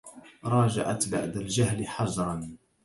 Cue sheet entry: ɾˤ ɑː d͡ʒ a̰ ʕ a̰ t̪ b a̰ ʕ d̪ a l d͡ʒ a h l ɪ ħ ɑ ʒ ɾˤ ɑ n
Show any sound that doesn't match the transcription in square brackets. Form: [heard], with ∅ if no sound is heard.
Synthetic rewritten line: ɾˤ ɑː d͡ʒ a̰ ʕ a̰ t̪ b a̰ ʕ d̪ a l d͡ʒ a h l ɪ ħ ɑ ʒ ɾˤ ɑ n